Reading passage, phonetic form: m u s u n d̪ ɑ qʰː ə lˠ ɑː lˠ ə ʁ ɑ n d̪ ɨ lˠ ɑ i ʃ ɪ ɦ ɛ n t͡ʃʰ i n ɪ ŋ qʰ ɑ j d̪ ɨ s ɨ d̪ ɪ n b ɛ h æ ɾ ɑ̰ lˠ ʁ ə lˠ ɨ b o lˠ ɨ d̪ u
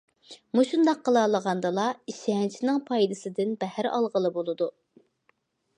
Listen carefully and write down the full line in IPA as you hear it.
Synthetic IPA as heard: m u ʃ u n d̪ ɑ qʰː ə lˠ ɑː lˠ ə ʁ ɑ n d̪ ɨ lˠ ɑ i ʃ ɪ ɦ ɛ n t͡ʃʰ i n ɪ ŋ pʰ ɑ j d̪ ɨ s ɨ d̪ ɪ n b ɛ h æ ɾ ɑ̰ lˠ ʁ ə lˠ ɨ b o lˠ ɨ d̪ u